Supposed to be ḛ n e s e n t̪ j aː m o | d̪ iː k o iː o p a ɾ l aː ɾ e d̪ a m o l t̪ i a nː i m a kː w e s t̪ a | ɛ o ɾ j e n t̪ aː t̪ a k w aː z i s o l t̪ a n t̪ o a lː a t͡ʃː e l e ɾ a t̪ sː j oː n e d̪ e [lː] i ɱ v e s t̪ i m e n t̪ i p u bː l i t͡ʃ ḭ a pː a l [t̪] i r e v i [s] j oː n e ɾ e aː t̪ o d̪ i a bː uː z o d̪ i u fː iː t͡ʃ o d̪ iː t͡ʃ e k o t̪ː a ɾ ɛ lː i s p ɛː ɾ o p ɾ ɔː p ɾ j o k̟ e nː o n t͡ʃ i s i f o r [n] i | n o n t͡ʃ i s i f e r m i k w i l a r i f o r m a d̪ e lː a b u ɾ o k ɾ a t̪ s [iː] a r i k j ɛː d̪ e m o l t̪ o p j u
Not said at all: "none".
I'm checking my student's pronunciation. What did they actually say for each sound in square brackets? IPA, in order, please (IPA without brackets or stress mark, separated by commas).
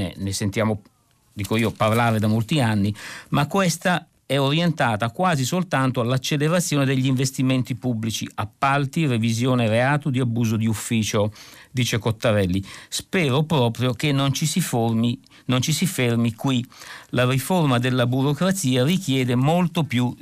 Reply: ʎː, t̪, z, m, iː